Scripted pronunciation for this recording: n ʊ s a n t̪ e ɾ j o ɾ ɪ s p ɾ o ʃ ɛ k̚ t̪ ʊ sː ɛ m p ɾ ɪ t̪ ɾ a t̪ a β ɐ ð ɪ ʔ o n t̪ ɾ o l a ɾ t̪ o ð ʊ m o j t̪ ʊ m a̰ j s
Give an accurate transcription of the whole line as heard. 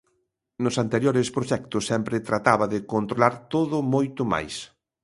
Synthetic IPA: n ʊ s a n t̪ e ɾ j o ɾ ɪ s p ɾ o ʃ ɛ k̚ t̪ ʊ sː ɛ m p ɾ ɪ t̪ ɾ a t̪ a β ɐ ð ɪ k o n t̪ ɾ o l a ɾ t̪ o ð ʊ m o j t̪ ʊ m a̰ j s